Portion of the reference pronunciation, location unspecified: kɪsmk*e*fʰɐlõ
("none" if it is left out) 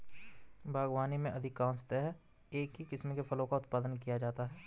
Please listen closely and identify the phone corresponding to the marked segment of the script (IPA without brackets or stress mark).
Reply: e